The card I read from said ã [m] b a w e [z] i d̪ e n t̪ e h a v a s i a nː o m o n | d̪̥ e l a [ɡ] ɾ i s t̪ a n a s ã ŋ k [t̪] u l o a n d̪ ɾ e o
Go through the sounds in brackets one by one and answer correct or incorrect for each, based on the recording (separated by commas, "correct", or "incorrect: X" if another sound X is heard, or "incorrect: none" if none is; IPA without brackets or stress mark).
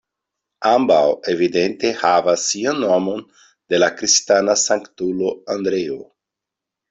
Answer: correct, incorrect: v, incorrect: k, correct